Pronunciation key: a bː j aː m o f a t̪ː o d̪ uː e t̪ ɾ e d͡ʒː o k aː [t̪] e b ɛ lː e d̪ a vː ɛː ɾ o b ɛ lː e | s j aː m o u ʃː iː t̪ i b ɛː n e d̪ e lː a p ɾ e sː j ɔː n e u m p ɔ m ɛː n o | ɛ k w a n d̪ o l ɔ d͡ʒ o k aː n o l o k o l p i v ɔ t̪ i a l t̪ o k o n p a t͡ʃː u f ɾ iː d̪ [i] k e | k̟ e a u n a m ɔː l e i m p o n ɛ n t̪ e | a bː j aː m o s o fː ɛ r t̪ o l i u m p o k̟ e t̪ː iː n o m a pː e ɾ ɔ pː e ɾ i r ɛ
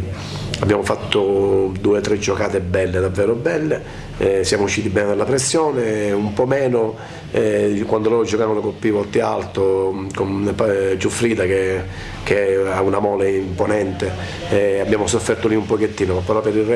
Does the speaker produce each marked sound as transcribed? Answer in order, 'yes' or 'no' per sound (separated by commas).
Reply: yes, no